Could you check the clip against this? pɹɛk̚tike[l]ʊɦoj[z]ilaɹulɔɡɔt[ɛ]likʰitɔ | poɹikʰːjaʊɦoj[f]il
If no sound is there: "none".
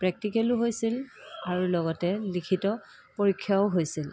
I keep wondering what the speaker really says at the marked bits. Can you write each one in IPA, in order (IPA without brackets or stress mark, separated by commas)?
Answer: l, s, ɛ, s